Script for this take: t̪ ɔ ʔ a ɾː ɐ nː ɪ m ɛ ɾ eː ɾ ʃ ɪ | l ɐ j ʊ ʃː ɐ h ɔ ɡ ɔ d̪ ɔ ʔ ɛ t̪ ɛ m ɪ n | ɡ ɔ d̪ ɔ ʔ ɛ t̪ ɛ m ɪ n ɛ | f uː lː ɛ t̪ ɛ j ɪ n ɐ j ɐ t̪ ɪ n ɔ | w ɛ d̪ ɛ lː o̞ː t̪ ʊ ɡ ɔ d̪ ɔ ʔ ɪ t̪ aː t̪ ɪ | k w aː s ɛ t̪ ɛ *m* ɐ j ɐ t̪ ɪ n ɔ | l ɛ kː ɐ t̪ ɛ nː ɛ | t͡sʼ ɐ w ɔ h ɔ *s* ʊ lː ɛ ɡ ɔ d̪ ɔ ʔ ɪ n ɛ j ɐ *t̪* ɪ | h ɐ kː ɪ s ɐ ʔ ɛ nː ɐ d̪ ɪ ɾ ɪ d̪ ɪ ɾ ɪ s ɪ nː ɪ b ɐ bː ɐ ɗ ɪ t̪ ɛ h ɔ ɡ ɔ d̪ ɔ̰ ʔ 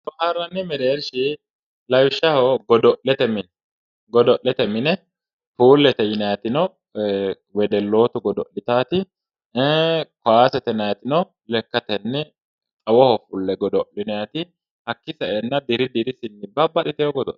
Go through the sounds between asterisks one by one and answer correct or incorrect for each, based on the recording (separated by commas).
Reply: incorrect, incorrect, correct